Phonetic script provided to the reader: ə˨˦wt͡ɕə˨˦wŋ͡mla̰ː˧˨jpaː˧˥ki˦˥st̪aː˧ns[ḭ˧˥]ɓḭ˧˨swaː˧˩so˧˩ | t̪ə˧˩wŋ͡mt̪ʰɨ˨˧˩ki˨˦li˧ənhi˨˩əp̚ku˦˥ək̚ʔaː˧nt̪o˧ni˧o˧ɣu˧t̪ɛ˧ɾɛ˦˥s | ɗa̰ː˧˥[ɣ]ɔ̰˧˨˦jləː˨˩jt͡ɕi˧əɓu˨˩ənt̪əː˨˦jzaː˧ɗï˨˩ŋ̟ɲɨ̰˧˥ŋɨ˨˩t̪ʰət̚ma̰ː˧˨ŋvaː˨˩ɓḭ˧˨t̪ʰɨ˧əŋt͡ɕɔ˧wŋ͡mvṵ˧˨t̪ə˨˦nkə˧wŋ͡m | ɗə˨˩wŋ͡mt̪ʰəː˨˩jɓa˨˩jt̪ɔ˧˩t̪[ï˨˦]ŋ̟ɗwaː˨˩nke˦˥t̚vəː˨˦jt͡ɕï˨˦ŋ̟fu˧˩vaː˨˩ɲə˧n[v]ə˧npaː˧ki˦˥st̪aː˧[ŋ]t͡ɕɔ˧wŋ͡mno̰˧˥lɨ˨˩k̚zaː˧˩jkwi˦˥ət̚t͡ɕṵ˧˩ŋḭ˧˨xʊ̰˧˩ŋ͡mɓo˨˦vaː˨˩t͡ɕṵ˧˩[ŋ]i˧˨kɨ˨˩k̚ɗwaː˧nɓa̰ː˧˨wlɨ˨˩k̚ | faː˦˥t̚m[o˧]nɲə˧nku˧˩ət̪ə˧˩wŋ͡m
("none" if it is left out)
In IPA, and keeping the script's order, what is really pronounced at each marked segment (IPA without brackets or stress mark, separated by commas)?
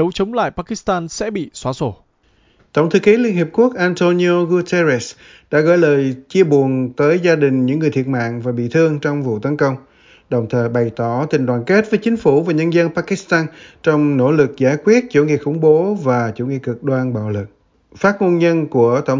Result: ɛ̰˧˥, ɣ, ï˨˩, z, n, ŋ, o˧